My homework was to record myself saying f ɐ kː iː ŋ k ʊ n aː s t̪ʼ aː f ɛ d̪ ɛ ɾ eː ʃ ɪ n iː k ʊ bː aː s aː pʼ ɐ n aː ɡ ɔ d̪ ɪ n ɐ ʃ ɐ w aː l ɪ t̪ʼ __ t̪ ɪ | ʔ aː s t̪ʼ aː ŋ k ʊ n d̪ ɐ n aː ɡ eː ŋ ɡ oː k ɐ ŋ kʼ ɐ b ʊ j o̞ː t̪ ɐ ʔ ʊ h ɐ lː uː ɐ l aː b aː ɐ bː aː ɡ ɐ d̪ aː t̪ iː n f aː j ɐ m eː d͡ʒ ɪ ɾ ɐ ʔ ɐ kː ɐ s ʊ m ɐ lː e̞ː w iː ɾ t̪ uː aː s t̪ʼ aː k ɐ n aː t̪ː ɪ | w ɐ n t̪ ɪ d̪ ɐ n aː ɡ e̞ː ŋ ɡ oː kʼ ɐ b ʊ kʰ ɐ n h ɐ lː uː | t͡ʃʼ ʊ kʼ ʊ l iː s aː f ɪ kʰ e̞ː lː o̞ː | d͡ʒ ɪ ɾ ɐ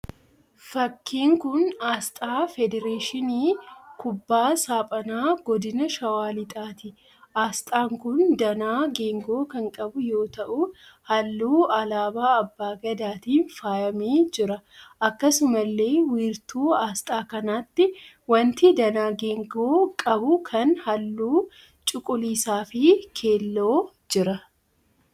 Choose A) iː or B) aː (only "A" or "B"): B